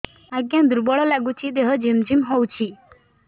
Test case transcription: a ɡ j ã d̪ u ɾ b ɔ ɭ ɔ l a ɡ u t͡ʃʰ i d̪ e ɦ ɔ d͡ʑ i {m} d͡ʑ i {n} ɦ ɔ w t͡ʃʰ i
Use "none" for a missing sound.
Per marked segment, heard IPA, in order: m, m

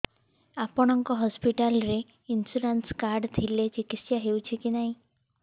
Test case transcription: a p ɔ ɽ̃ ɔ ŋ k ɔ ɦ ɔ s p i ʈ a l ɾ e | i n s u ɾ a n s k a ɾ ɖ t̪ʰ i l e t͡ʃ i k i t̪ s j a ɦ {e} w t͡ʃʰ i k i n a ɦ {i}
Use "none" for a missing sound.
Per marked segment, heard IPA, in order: e, ĩ

